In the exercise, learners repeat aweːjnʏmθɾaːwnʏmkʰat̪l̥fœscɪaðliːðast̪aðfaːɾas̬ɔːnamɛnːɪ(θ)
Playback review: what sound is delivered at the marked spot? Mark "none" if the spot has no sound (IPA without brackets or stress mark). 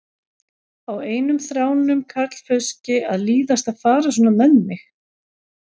x